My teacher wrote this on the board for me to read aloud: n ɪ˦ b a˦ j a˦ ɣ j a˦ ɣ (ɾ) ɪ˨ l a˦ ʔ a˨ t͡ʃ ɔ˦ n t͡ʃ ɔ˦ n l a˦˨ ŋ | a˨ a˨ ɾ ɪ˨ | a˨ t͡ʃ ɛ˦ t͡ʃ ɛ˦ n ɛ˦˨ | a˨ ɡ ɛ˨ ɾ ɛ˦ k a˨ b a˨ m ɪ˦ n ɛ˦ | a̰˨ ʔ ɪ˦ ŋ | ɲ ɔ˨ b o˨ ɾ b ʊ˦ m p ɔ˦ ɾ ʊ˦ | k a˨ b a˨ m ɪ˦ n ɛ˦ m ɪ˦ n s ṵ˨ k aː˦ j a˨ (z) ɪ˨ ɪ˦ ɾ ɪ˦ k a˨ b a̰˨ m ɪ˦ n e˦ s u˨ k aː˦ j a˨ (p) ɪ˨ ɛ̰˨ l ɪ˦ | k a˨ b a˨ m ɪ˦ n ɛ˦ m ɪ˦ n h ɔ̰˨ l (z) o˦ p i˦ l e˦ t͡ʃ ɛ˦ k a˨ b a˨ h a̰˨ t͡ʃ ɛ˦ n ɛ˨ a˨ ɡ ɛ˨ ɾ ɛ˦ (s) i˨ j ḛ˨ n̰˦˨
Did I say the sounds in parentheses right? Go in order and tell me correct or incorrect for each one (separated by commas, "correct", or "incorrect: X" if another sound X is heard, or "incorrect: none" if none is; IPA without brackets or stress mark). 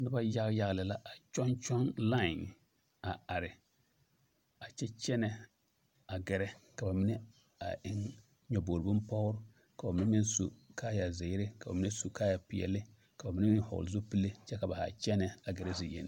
incorrect: l, correct, correct, correct, incorrect: z